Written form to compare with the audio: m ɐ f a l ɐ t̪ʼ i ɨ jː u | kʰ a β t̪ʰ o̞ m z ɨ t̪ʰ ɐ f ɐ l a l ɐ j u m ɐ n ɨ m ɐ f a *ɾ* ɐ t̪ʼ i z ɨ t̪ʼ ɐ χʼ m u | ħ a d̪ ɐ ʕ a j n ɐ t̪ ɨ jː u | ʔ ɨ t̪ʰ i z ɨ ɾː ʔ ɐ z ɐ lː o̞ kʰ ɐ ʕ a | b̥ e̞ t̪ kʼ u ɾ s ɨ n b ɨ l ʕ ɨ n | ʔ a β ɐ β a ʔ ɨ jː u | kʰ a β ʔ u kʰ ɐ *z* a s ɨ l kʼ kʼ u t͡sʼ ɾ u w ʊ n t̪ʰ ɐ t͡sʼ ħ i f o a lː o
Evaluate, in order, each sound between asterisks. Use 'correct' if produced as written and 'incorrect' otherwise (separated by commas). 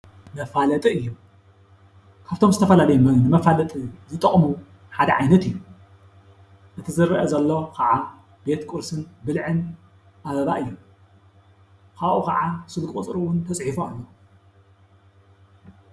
incorrect, incorrect